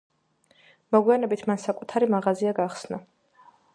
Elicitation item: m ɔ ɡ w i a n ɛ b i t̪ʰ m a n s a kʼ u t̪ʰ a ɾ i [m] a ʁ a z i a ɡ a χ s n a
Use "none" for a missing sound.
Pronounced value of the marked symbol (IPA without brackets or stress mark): m